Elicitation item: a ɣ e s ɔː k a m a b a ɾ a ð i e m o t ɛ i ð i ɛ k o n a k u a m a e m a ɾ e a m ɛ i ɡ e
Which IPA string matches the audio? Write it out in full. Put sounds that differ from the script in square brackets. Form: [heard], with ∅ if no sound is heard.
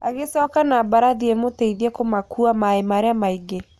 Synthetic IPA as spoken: a ɣ e s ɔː k a [n] a b a ɾ a ð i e m o t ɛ i ð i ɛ k o [m] a k u a m a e m a ɾ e a m [a] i ɡ e